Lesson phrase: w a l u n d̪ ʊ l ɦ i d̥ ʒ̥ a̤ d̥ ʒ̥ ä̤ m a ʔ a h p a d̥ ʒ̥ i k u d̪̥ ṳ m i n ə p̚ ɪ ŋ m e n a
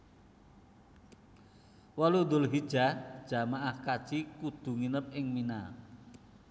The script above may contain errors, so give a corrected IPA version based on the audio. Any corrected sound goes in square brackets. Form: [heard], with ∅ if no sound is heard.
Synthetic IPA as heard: w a l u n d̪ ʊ l ɦ i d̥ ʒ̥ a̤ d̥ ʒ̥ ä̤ m a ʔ a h [k] a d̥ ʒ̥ i k u d̪̥ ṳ [ŋ] i n ə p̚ ɪ ŋ m [i] n a